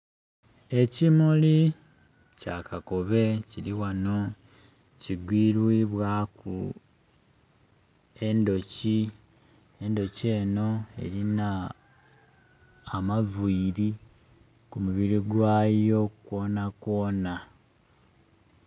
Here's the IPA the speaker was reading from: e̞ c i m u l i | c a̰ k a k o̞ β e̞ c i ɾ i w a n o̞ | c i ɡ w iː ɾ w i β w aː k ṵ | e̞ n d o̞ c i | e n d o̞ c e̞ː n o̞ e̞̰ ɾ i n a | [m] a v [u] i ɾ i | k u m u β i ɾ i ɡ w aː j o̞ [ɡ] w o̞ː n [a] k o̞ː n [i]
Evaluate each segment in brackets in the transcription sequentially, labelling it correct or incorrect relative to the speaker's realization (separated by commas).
correct, correct, incorrect, correct, incorrect